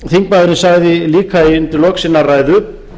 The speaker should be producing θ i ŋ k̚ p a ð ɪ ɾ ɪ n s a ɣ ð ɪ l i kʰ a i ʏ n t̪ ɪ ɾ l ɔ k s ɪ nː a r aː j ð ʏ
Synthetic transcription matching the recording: θ i ŋ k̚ p a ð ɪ ɾ ɪ n s a ɣ ð ɪ l iː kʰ a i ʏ n t̪ ɪ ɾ l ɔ k s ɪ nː a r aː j ð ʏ